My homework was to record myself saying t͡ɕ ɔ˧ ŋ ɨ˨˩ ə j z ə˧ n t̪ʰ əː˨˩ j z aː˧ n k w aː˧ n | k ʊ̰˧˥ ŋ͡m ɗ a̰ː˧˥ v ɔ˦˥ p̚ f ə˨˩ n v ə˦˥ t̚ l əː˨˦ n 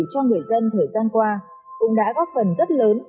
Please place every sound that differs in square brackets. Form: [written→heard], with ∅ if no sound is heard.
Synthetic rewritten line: t͡ɕ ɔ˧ ŋ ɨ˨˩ ə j z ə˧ n t̪ʰ əː˨˩ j z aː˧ n k w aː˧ [n→∅] | k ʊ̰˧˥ ŋ͡m ɗ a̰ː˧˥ [v→ɣ] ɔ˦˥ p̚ f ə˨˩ n [v→z] ə˦˥ t̚ l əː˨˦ n